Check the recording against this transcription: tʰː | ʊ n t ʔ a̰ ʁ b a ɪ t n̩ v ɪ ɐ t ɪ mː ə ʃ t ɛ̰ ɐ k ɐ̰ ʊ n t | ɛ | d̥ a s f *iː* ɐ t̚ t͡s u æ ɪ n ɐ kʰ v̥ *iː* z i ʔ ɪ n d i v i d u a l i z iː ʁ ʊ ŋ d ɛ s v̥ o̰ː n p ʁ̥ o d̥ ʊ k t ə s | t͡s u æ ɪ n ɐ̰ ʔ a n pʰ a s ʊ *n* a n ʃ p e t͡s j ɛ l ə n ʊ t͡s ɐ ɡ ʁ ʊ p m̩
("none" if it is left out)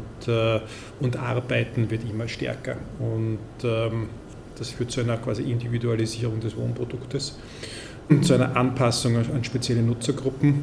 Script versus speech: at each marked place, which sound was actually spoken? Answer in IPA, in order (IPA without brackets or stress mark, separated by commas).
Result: yː, aː, ŋ